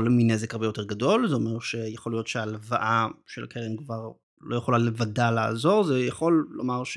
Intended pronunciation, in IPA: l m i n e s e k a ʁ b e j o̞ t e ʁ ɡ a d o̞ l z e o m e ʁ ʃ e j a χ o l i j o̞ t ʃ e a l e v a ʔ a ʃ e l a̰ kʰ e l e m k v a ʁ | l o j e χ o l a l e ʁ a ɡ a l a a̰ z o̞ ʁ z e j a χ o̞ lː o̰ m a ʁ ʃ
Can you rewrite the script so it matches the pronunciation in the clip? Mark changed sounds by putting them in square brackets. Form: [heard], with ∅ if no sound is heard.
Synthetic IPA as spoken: l m i n e [z] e k a ʁ b e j o̞ t e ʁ ɡ a d o̞ l z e o m e ʁ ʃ e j a χ o l i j o̞ t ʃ e a l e v a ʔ a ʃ e l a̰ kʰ e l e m k v a ʁ | l o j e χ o l a l e [v] a [d] a l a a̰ z o̞ ʁ z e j a χ o̞ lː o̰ m a ʁ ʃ